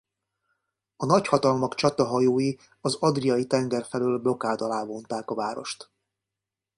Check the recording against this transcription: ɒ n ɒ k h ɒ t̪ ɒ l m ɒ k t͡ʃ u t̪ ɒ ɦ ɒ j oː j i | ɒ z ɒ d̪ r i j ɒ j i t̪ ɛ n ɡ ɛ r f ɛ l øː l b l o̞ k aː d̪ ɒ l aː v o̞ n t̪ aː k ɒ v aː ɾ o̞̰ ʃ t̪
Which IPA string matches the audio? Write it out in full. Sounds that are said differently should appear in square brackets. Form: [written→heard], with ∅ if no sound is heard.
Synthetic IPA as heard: ɒ n ɒ [k→c] h ɒ t̪ ɒ l m ɒ k t͡ʃ [u→ɒ] t̪ ɒ ɦ ɒ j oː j i | ɒ z ɒ d̪ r i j ɒ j i t̪ ɛ [n→ŋ] ɡ ɛ r f ɛ l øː l b l o̞ k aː d̪ ɒ l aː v o̞ n t̪ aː k ɒ v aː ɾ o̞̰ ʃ t̪